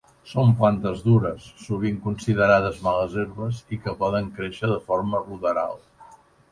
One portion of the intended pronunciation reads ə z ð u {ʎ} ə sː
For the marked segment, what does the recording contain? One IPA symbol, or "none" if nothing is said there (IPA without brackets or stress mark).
ɾ